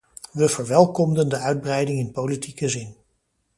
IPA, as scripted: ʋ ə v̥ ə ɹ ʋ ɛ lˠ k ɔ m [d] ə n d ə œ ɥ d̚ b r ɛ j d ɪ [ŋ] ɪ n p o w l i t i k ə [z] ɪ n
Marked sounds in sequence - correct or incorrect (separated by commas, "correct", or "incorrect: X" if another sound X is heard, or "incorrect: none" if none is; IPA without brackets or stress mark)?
correct, correct, correct